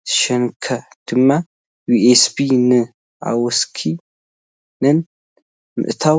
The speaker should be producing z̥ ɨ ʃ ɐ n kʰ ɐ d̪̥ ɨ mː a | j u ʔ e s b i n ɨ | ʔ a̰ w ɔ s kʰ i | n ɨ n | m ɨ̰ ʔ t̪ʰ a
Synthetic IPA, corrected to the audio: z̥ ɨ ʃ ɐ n kʰ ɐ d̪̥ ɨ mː a | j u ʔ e s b i n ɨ | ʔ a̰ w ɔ s kʰ i | n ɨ n | m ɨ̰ ʔ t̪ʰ a